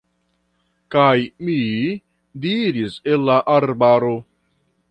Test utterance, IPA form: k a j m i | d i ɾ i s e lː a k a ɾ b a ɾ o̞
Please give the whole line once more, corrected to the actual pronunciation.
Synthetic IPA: k a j m i | d i ɾ i s e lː a ʔ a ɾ b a ɾ o̞